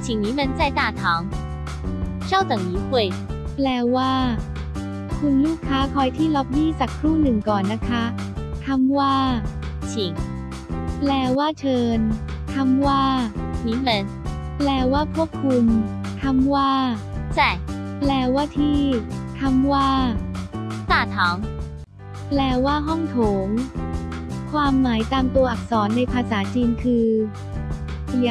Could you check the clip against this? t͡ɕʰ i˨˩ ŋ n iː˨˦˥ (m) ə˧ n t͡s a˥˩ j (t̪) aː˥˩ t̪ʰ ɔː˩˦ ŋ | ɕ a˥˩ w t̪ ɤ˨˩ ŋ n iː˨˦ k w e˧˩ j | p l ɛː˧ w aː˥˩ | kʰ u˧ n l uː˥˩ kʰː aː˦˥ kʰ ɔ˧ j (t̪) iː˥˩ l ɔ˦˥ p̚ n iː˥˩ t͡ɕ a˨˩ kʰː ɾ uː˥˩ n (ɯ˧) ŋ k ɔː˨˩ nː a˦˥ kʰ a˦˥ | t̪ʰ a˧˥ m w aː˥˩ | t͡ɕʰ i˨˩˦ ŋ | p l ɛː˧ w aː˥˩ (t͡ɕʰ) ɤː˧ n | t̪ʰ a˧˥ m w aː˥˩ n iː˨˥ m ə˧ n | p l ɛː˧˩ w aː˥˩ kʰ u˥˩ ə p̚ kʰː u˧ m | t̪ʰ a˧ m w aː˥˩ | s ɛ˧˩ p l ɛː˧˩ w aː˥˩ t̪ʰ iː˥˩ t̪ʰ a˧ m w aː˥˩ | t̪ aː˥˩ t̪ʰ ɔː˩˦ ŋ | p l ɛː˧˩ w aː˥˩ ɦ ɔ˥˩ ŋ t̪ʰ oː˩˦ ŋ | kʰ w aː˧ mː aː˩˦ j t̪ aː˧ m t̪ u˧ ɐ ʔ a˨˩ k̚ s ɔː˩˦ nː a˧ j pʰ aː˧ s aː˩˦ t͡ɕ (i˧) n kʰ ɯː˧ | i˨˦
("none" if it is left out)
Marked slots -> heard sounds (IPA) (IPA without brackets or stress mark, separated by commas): m, t̪, t̪ʰ, ɯ˨˩, t͡ɕʰ, iː˧